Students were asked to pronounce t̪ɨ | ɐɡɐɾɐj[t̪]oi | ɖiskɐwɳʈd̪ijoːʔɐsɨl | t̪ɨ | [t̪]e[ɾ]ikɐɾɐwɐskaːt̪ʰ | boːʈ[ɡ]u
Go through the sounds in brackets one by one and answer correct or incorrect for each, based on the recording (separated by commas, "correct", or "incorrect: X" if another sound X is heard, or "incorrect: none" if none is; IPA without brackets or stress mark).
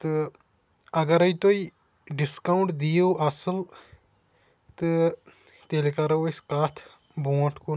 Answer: correct, correct, incorrect: l, incorrect: k